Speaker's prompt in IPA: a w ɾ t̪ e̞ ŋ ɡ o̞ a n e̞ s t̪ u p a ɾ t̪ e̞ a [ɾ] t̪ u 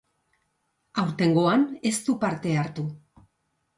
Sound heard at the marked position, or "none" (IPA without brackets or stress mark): ɾ